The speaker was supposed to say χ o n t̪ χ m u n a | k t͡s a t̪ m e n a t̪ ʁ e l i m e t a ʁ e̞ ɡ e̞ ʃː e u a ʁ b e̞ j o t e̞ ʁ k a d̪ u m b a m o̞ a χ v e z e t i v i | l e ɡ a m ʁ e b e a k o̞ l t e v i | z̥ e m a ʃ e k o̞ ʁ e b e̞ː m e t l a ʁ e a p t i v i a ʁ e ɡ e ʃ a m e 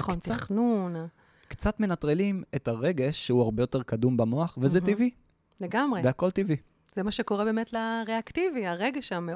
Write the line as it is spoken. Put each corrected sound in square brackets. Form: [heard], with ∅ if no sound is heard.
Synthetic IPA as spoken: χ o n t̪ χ [n] u n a | k t͡s a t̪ m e n a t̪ ʁ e l i m e t a ʁ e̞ ɡ e̞ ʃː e u a ʁ b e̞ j o t e̞ ʁ k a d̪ u m b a m o̞ a χ v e z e t i v i | l e ɡ a m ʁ e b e a k o̞ l t [i] v i | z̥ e m a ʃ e k o̞ ʁ e b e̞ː m e t l a ʁ e a [k] t i v i a ʁ e ɡ e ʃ a m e